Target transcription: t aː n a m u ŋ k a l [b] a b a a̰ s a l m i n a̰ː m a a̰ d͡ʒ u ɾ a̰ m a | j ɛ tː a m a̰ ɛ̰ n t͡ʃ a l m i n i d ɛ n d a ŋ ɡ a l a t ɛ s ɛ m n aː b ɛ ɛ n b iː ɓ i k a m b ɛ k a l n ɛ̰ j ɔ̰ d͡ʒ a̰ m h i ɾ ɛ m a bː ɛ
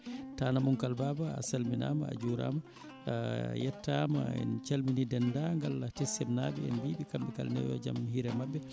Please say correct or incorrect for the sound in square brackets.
correct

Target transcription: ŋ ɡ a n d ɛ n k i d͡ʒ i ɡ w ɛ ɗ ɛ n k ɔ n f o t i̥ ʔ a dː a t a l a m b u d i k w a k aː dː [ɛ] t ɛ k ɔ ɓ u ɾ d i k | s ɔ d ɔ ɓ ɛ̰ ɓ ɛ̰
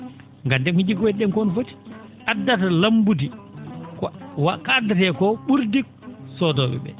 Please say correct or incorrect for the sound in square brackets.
incorrect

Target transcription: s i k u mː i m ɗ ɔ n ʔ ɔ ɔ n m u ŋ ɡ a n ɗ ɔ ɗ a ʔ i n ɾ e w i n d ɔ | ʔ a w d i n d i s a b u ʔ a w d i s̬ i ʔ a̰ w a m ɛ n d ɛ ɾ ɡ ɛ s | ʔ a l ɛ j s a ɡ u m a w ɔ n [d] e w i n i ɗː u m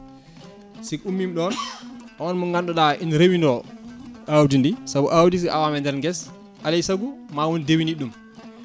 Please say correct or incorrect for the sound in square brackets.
correct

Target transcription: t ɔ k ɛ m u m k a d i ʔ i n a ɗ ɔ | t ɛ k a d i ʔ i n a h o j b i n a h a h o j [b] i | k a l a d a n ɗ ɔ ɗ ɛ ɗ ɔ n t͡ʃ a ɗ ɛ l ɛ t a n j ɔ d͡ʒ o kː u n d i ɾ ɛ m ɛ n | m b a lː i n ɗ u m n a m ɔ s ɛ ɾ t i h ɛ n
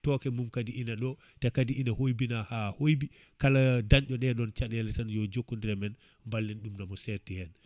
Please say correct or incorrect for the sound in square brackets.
correct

